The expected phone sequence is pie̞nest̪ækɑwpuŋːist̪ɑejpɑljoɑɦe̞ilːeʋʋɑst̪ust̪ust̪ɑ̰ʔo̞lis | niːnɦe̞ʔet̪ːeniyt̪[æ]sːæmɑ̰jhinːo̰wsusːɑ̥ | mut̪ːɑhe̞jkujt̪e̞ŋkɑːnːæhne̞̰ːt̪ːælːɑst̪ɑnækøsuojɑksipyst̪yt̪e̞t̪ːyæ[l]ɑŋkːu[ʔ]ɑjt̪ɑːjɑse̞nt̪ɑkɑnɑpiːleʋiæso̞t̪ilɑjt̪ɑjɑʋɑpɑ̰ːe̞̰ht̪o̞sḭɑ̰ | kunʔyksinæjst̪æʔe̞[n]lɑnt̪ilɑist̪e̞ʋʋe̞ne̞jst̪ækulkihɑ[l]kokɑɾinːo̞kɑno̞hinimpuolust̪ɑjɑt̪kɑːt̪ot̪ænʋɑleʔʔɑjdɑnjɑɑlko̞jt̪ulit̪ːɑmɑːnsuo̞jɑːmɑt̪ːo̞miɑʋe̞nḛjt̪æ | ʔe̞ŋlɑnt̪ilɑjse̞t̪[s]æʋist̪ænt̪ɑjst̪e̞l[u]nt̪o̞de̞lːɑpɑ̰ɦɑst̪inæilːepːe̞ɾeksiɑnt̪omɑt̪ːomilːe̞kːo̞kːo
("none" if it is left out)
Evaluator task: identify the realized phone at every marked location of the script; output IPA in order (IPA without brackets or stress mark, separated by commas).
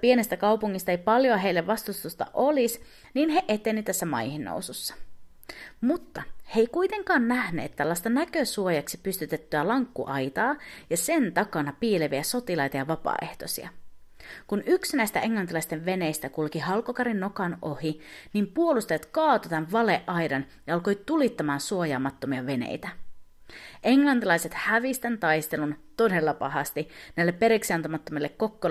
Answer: æ, l, ʔ, ŋ, l, h, u